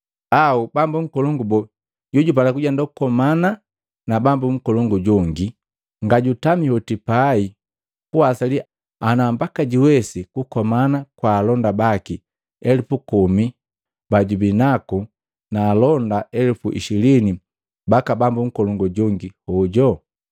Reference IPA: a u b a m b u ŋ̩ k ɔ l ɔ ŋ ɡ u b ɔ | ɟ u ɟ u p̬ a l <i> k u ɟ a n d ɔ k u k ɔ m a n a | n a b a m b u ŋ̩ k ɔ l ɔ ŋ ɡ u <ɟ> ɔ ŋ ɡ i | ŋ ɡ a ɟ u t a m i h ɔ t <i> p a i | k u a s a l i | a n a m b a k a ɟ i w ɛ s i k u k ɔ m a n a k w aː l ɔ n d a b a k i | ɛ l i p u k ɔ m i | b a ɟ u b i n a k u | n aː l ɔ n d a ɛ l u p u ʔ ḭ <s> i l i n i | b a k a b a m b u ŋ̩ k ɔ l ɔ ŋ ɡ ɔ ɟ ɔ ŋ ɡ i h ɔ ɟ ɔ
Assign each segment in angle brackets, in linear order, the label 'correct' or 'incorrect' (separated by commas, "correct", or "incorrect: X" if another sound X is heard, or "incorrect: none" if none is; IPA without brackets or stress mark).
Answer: incorrect: a, correct, correct, incorrect: ʃ